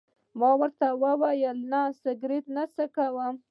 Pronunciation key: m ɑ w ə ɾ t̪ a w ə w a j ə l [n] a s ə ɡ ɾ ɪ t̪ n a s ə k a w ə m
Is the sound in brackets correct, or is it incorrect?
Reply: correct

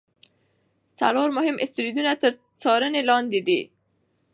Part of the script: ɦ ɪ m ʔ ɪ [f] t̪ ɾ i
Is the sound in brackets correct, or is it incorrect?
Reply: incorrect: s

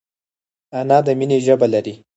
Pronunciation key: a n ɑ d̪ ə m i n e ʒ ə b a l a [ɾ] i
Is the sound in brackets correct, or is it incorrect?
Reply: correct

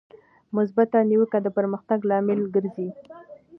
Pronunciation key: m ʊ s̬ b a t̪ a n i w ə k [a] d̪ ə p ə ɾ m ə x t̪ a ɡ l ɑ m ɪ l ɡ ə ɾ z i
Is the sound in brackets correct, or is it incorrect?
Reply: correct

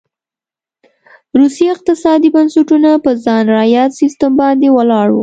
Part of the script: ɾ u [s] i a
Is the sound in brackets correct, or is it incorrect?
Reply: correct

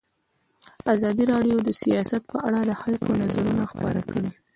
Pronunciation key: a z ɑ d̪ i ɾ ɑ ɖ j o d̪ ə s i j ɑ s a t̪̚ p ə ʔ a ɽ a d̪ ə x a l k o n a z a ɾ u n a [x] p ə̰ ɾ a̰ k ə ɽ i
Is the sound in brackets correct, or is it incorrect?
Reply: correct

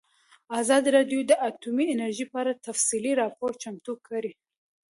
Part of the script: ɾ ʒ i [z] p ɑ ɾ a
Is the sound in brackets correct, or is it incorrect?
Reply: incorrect: none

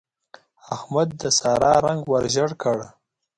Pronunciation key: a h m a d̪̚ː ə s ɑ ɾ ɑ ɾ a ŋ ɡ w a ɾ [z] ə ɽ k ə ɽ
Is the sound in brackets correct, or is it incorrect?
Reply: incorrect: ʒ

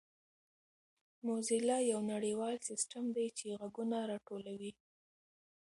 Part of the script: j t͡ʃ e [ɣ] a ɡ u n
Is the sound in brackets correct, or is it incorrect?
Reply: correct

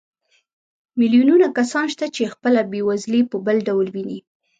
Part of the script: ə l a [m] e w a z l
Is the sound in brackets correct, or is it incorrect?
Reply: incorrect: b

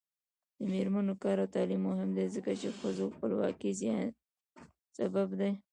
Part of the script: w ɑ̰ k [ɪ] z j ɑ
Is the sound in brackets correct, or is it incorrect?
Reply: incorrect: i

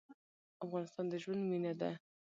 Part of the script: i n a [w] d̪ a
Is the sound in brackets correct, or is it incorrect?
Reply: incorrect: none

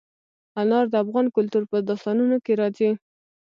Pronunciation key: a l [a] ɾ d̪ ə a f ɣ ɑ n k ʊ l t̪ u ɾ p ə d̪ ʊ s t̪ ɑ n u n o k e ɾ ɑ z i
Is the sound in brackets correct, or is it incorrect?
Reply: incorrect: ɑ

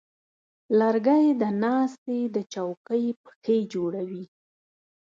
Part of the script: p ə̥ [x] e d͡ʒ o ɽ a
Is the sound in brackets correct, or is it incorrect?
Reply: correct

